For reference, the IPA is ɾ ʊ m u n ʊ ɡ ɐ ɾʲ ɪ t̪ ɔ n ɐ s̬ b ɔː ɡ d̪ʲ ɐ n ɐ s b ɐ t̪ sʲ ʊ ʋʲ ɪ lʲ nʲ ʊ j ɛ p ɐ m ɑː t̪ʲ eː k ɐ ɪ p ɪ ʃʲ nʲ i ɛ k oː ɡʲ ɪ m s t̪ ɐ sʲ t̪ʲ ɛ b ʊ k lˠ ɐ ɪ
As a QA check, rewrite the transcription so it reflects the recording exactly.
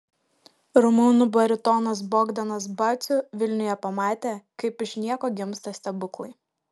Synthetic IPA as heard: ɾ ʊ m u n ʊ b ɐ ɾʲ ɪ t̪ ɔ n ɐ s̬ b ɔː ɡ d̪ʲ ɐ n ɐ s b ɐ t̪ sʲ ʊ ʋʲ ɪ lʲ nʲ ʊ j ɛ p ɐ m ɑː t̪ʲ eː k ɐ ɪ p ɪ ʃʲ nʲ i ɛ k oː ɡʲ ɪ m s t̪ ɐ sʲ t̪ʲ ɛ b ʊ k lˠ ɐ ɪ